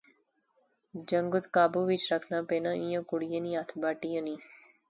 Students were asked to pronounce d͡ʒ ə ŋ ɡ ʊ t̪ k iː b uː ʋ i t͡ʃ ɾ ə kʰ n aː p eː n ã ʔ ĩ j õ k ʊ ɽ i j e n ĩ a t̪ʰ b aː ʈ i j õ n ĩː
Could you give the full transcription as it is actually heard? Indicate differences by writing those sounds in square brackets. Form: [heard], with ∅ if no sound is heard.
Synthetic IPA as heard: d͡ʒ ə ŋ ɡ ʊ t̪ k [aː] b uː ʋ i t͡ʃ ɾ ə kʰ n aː p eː n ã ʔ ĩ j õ k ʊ ɽ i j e n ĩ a t̪ʰ b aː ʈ i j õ n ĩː